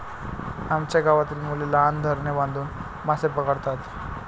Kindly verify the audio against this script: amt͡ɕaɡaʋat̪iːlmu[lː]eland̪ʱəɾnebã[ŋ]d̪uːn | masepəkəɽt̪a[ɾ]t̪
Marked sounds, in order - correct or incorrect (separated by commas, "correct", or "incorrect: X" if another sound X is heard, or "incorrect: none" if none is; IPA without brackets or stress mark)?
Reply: incorrect: l, incorrect: n, incorrect: none